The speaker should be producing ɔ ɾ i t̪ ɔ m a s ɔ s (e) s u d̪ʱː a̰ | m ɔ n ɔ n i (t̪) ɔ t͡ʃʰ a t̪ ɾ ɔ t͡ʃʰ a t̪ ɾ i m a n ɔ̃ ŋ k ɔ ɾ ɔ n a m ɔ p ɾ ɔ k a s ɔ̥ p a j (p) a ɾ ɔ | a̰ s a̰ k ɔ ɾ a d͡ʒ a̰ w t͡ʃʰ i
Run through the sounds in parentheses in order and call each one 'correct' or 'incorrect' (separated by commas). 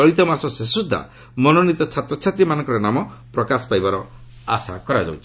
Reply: correct, correct, incorrect